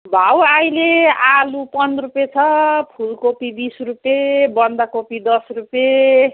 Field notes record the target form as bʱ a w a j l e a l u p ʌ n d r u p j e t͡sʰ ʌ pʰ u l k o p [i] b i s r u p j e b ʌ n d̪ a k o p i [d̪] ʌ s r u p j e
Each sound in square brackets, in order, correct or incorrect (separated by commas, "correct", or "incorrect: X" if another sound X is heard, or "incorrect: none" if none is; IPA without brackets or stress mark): correct, correct